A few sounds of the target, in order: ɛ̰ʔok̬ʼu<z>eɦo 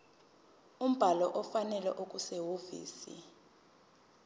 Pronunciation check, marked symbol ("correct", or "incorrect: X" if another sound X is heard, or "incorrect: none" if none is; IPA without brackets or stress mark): incorrect: s